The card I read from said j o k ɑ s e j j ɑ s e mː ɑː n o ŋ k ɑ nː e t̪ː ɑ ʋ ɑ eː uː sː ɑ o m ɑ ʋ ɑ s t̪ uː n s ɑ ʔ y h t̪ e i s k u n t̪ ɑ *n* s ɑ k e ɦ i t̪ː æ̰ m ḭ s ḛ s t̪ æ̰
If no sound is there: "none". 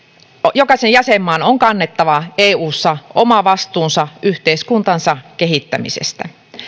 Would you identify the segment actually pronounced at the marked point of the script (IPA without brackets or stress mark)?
n